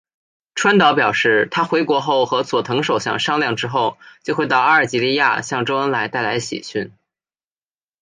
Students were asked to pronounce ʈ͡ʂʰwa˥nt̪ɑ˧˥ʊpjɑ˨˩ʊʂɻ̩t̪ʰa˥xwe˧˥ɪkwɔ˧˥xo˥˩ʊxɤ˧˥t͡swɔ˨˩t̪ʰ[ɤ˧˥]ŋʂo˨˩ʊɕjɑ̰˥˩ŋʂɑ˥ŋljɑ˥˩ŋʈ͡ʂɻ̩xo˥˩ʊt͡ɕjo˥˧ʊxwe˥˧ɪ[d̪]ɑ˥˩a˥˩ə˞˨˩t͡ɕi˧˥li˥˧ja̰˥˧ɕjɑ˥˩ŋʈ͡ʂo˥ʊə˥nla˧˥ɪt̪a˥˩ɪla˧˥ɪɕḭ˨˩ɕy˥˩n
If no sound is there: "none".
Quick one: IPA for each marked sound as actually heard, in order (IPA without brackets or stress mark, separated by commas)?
ɤ˧˥, t̪